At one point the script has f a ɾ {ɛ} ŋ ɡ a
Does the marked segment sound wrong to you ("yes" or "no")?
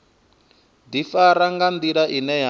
yes